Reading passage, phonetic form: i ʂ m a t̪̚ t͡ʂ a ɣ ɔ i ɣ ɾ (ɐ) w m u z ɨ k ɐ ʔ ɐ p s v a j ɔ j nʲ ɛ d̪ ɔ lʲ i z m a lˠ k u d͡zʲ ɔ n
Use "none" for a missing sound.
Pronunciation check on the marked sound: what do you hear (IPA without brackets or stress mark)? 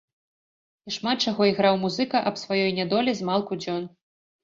a